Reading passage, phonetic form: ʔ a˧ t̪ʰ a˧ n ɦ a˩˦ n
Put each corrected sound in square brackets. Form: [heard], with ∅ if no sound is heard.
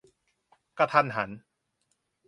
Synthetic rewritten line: [k] a˧ t̪ʰ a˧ n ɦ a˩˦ n